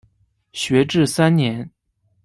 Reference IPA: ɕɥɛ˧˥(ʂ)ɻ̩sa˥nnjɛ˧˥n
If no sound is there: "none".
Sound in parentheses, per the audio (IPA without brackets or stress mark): ʈ͡ʂ